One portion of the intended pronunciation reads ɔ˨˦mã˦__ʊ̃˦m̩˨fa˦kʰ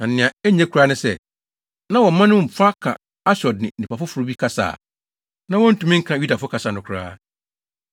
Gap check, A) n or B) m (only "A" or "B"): A